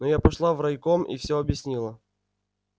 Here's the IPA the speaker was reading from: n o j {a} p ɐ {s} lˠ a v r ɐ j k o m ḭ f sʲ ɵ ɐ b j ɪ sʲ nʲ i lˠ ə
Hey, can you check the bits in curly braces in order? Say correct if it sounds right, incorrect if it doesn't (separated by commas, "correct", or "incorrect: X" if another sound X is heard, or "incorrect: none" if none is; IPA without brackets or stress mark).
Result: correct, incorrect: ʂ